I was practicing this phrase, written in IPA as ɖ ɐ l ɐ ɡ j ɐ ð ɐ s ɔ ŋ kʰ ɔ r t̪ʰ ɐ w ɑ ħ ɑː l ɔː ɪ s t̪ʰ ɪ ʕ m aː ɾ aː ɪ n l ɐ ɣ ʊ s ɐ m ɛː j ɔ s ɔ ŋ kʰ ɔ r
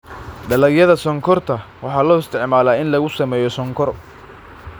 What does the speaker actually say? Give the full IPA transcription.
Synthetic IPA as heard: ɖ ɐ l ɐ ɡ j ɐ ð ɐ s ɔ ŋ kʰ ɔ r t̪ʰ ɐ w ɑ ħ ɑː l ɔː ɪ s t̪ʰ ɪ ʕ m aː l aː ɪ n l ɐ ɣ ʊ s ɐ m ɛː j ɔ s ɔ ŋ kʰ ɔ r